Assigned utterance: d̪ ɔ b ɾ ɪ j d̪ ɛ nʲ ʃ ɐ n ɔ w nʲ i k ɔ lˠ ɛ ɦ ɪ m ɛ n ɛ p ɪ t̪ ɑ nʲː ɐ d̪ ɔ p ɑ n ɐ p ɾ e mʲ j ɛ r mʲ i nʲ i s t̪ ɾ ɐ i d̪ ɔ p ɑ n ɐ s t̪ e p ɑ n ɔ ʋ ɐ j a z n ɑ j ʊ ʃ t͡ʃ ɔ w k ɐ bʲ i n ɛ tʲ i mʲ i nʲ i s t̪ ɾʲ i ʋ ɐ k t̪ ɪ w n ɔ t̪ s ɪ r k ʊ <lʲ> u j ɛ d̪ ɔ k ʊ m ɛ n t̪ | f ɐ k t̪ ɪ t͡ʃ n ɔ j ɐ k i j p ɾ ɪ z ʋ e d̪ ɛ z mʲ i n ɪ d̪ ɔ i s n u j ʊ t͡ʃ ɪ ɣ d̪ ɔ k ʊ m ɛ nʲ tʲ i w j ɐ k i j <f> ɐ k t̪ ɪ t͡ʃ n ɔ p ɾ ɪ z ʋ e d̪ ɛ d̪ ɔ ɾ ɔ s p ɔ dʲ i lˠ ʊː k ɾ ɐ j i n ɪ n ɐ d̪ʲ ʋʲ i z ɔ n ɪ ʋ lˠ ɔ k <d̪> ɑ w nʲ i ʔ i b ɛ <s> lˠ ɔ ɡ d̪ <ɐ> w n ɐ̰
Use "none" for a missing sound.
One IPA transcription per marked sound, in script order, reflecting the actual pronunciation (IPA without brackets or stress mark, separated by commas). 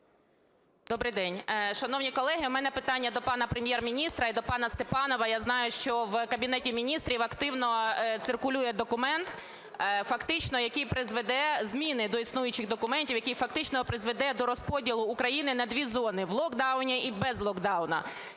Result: lʲ, f, d̪, z, ɑ